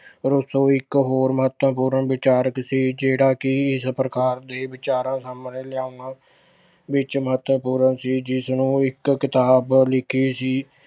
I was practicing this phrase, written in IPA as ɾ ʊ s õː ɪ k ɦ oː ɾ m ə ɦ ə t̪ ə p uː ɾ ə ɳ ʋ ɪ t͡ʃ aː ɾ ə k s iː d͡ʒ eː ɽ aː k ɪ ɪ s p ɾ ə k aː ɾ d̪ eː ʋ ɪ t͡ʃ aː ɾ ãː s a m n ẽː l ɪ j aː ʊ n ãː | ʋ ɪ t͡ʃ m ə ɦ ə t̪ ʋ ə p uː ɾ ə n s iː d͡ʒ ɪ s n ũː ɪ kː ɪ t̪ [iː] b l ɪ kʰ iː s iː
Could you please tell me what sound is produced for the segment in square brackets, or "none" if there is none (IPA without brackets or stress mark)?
aː